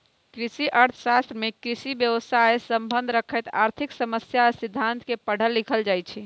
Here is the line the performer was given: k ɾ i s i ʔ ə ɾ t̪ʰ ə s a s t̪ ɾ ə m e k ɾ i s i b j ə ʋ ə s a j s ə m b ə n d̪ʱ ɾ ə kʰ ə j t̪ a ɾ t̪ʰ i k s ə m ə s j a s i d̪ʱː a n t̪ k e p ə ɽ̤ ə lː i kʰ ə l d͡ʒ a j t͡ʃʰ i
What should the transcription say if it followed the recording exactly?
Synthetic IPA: k ɾ i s i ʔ ə ɾ t̪ʰ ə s a s t̪ ɾ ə m e k ɾ i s i b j ə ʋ ə s a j s ə m b ə n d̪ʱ ɾ ə kʰ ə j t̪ a ɾ t̪ʰ i k s ə m ə s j a s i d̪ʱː a n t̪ k e p ə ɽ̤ ə lː i kʰ ə l d͡ʒ a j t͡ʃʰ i